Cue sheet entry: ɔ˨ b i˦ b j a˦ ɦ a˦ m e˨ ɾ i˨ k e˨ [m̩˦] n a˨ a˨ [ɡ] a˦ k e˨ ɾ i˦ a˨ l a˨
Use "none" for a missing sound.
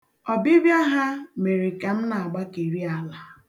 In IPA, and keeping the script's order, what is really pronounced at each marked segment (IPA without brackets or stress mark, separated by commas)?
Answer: m̩˦, ɡ͡b